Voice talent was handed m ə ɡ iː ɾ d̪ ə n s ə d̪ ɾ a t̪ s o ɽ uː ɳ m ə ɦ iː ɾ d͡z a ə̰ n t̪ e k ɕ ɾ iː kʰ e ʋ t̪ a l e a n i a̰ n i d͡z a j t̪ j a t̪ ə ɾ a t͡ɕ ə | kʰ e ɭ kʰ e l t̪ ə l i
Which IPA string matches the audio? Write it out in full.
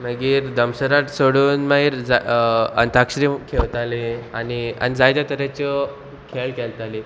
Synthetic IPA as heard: m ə ɡ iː ɾ d̪ ə m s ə ɾ a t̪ s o ɽ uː n m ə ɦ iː ɾ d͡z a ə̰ n t̪ a k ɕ ɾ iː kʰ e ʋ t̪ a l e a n i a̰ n i d͡z a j t̪ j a t̪ ə ɾ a t͡ɕ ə | kʰ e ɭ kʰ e l t̪ a l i